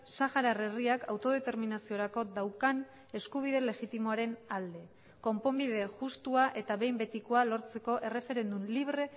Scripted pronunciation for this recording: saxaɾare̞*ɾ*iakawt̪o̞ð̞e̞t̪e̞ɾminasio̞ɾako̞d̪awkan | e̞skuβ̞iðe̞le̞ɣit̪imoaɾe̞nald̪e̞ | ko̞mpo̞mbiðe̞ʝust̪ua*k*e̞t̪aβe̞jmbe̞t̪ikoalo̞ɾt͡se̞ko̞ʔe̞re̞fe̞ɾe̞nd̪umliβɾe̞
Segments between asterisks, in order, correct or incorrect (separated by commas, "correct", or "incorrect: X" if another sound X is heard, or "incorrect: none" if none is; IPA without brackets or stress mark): incorrect: r, incorrect: ʔ